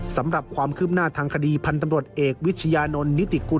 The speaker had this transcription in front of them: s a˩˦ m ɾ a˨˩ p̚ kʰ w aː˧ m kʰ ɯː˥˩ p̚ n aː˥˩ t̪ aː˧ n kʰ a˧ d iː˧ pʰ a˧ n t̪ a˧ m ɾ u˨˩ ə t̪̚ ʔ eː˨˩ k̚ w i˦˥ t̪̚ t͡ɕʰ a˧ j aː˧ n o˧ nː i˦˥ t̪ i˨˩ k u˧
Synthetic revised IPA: s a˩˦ m ɾ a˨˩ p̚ kʰ w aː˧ m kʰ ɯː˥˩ p̚ n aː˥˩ t̪ʰ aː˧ ŋ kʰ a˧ d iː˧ pʰ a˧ n t̪ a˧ m ɾ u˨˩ ə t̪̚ ʔ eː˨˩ k̚ w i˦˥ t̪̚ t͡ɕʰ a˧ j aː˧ n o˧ nː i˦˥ t̪ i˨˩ k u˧